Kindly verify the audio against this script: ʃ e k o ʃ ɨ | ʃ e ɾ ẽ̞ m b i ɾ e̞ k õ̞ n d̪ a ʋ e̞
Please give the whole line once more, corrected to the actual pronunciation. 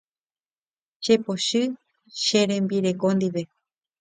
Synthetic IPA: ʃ e p o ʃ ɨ | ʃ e ɾ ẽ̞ m b i ɾ e̞ k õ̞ n d̪ i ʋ e̞